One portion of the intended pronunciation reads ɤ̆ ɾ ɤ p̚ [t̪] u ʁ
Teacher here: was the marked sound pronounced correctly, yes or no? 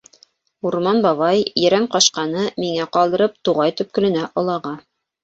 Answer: yes